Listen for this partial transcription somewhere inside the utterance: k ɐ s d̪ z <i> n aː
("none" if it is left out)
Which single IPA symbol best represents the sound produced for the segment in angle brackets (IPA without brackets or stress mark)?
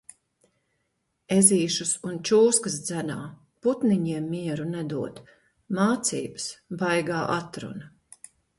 æ